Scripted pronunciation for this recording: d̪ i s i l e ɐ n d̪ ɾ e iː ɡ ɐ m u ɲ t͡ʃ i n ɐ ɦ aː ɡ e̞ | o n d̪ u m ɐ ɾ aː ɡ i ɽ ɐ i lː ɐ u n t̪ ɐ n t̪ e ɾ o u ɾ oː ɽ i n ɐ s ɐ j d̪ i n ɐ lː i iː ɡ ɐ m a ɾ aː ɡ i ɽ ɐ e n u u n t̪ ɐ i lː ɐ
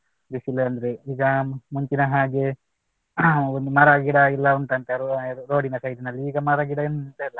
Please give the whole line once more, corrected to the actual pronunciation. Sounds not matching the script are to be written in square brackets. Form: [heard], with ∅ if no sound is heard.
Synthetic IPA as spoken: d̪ i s i l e ɐ n d̪ ɾ e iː ɡ ɐ m u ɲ t͡ʃ i n ɐ ɦ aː ɡ e̞ | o n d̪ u m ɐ ɾ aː ɡ i ɽ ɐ i lː ɐ u n t̪ ɐ n t̪ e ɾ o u ɾ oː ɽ i n ɐ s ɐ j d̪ i n ɐ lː i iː ɡ ɐ m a ɾ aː ɡ i ɽ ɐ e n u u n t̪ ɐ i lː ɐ